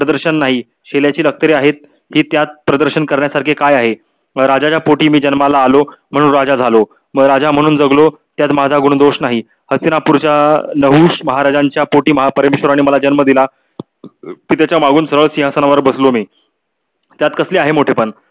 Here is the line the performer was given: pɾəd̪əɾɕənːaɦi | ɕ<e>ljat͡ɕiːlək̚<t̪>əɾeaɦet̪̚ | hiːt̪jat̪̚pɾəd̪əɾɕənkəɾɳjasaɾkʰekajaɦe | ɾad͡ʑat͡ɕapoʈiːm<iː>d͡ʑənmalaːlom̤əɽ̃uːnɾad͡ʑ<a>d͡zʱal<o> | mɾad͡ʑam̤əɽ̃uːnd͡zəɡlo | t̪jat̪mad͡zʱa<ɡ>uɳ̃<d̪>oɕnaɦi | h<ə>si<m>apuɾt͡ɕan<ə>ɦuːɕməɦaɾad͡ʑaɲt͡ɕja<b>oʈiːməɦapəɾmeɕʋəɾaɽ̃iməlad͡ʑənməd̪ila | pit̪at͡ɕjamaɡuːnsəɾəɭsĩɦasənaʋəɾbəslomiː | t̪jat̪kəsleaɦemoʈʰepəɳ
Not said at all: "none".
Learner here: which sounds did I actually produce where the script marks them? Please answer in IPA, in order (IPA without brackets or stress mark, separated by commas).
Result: e, t̪, iː, a, o, ɡ, d̪, ə, n, ə, p